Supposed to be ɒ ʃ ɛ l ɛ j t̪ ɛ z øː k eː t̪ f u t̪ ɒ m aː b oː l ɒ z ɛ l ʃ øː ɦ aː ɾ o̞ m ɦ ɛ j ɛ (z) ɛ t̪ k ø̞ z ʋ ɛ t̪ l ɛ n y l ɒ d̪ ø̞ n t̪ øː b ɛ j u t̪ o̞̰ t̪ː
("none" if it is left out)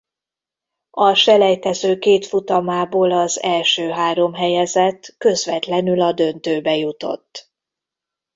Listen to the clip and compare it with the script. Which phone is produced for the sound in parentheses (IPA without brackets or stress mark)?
z